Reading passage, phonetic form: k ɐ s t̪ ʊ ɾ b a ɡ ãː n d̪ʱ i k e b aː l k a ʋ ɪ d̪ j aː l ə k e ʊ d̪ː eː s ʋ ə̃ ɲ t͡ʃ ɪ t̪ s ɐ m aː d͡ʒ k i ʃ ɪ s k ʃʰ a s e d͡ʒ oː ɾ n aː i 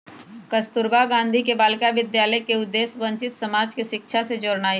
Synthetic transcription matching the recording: k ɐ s t̪ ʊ ɾ b a ɡ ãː n d̪ʱ i k e b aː l k a ʋ ɪ d̪ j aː l ə k e ʊ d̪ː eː s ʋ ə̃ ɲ t͡ʃ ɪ t̪ s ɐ m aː d͡ʒ k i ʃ ɪ k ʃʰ a s e d͡ʒ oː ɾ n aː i

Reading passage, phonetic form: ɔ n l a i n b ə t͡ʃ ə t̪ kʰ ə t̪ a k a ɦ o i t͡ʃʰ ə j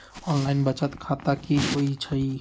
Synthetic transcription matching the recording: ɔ n l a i n b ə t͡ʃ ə t̪ kʰ a t̪ a k i ɦ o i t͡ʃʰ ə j

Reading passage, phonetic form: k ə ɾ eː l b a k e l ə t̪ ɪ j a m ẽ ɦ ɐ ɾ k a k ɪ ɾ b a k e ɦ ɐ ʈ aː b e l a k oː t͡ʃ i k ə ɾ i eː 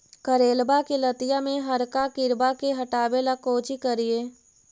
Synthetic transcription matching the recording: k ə ɾ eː l b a k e l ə t̪ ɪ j a m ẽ ɦ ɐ ɾ k a k ɪ ɾ b a k e ɦ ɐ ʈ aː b e l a k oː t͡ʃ i k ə ɾ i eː

